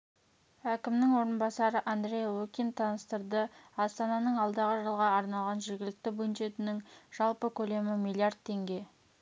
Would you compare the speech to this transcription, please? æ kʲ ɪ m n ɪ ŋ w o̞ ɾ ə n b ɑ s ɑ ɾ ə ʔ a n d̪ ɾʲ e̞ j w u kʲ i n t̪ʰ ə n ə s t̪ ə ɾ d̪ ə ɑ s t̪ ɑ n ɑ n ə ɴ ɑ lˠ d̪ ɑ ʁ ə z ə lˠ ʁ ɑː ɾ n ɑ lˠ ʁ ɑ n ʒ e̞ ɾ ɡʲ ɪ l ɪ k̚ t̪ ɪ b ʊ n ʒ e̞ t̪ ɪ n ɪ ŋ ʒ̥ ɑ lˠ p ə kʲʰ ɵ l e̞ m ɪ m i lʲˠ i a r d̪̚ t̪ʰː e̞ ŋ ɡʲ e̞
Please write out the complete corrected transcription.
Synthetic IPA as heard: æ kʲ ɪ m n ɪ ŋ w o̞ ɾ ə n b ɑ s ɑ ɾ ə ʔ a n d̪ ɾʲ e̞ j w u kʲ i n t̪ʰ ɑ n ə s t̪ ə ɾ d̪ ə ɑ s t̪ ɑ n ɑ n ə ɴ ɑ lˠ d̪ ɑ ʁ ə ʒ ə lˠ ʁ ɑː ɾ n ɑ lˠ ʁ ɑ n ʒ e̞ ɾ ɡʲ ɪ l ɪ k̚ t̪ ɪ b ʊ n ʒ e̞ t̪ ɪ n ɪ ŋ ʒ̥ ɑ lˠ p ə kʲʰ ɵ l e̞ m ɪ m i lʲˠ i a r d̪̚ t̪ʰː e̞ ŋ ɡʲ e̞

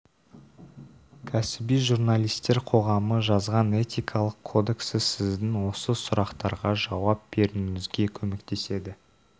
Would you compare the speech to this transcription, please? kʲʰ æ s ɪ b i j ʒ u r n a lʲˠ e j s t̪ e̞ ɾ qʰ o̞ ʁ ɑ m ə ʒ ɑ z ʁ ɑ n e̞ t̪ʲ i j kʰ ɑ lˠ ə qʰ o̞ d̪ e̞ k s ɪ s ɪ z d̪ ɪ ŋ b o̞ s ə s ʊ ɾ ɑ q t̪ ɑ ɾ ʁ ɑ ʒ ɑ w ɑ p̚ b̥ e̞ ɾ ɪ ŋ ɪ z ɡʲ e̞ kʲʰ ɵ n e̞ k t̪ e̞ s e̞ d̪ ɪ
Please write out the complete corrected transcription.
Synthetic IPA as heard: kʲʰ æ s ɪ b i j ʒ u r n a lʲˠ i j s t̪ e̞ ɾ qʰ o̞ ʁ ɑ m ə ʒ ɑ z ʁ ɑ n e̞ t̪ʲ i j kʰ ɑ lˠ ə qʰ o̞ d̪ e̞ k s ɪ s ɪ z d̪ ɪ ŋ w o̞ s ə s ʊ ɾ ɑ q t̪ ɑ ɾ ʁ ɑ ʒ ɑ w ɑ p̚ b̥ e̞ ɾ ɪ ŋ ɪ z ɡʲ e̞ kʲʰ ɵ m e̞ k t̪ e̞ s e̞ d̪ ɪ

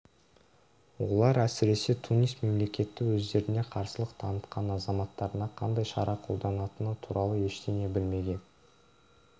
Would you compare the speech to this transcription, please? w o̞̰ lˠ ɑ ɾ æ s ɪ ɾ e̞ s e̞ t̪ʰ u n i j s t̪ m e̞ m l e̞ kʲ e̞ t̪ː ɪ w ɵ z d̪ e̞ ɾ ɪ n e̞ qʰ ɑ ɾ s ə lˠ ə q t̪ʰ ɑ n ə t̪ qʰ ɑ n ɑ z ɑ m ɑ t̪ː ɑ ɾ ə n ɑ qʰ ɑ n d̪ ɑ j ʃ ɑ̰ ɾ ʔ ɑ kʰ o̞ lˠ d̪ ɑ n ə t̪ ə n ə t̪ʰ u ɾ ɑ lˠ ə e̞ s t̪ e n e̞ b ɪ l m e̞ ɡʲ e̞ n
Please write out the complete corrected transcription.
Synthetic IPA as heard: w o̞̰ lˠ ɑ ɾ æ s ɪ ɾ e̞ s e̞ t̪ʰ u n i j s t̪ m e̞ m l e̞ kʲ e̞ t̪ː ɪ w ɵ z d̪ e̞ ɾ ɪ n e̞ qʰ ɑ ɾ s ə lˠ ə q t̪ʰ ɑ n ə t̪ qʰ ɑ n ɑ z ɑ m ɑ t̪ː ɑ ɾ ə n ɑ qʰ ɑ n d̪ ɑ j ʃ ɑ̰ ɾ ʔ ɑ qʰ o̞ lˠ d̪ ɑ n ɑ t̪ ə n ə t̪ʰ u ɾ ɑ lˠ ə e̞ ʃ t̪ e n e̞ b ɪ l m e̞ ɡʲ e̞ n

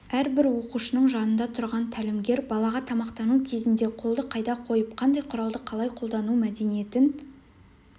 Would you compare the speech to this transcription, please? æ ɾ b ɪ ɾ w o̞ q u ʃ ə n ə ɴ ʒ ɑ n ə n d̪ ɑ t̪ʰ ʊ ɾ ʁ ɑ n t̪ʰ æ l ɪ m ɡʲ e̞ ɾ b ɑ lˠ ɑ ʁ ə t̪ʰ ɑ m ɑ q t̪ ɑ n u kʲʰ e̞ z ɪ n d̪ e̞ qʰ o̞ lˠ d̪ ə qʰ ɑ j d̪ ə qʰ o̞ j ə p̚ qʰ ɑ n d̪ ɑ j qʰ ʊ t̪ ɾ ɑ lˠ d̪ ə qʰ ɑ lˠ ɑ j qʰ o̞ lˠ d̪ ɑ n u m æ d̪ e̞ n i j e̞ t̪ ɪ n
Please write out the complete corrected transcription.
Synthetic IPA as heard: æ ɾ b ɪ ɾ w o̞ q u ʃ ə n ə ɴ ʒ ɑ n ə n d̪ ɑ t̪ʰ ʊ ɾ ʁ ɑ n t̪ʰ æ l ɪ m ɡʲ e̞ ɾ b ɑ lˠ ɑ ʁ ɑ t̪ʰ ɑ m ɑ q t̪ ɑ n u kʲʰ e̞ z ɪ n d̪ e̞ qʰ o̞ lˠ d̪ ə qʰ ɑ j d̪ ɑ qʰ o̞ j ə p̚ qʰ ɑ n d̪ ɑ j qʰ ʊ ɾ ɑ lˠ d̪ ə qʰ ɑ lˠ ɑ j qʰ o̞ lˠ d̪ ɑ n u m æ d̪ e̞ n i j e̞ t̪ ɪ n

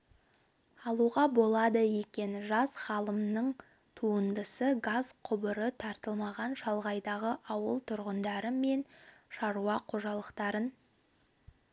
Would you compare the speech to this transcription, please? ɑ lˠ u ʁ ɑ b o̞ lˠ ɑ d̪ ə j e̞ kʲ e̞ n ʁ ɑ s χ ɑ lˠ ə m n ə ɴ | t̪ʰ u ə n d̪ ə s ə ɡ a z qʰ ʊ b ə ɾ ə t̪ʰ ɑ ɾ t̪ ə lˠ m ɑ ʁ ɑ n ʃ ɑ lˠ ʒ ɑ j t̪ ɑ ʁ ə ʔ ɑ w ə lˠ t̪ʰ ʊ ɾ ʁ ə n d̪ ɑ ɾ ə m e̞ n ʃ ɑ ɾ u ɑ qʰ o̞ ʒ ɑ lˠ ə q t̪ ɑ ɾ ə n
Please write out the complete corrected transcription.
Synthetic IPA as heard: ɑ lˠ u ʁ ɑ b o̞ lˠ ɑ d̪ ə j e̞ kʲ e̞ n ʒ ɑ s χ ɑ lˠ ə m n ə ɴ | t̪ʰ u ə n d̪ ə s ə ɡ a z qʰ ʊ b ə ɾ ə t̪ʰ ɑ ɾ t̪ ə lˠ m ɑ ʁ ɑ n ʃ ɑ lˠ ʁ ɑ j d̪ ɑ ʁ ə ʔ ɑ w ə lˠ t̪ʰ ʊ ɾ ʁ ə n d̪ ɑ ɾ ə m e̞ n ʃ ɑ ɾ u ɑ qʰ o̞ ʒ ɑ lˠ ə q t̪ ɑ ɾ ə n

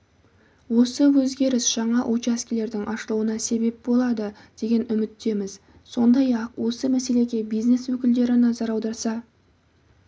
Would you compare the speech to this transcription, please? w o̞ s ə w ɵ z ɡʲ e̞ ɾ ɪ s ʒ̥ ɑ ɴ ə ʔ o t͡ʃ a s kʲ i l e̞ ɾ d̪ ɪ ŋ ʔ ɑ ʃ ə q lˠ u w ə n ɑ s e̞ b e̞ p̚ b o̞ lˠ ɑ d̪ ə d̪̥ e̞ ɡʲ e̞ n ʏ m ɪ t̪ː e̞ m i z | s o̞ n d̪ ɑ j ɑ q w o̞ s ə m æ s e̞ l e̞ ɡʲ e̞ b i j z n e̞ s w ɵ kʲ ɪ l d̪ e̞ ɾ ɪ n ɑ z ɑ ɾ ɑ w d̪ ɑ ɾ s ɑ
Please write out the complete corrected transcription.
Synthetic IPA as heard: w o̞ s ə w ɵ z ɡʲ e̞ ɾ ɪ s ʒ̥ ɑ ɴ ɑ ʔ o t͡ʃ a s kʲ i l e̞ ɾ d̪ ɪ ŋ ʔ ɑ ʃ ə lˠ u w ə n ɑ s e̞ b e̞ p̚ b o̞ lˠ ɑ d̪ ə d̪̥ e̞ ɡʲ e̞ n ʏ m ɪ t̪ː e̞ m ɪ z | s o̞ n d̪ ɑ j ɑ q w o̞ s ə m æ s e̞ l e̞ ɡʲ e̞ b i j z n e̞ s w ɵ kʲ ɪ l d̪ e̞ ɾ ɪ n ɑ z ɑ ɾ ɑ w d̪ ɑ ɾ s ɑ

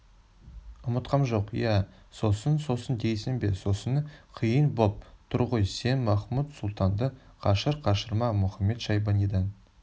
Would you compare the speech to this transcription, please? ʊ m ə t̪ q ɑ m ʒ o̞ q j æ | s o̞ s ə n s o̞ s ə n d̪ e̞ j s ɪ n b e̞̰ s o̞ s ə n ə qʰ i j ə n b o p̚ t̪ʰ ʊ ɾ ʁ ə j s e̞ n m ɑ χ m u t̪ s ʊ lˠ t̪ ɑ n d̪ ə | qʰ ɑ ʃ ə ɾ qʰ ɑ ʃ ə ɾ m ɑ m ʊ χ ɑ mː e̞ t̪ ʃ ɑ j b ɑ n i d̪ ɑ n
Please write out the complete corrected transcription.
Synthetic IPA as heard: ʊ m ə t̪ q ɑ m ʒ o̞ q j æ | s o̞ s ə n s o̞ s ə n d̪ e̞ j s ɪ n b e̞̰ s o̞ s ə n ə qʰ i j ə n b o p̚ t̪ʰ ʊ ɾ ʁ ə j s e̞ n m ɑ χ m u t̪ s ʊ lˠ t̪ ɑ n d̪ ə | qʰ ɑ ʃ ə ɾ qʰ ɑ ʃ ə ɾ m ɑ m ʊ χ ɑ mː e̞ t̪ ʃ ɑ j b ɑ n i d̪ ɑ n

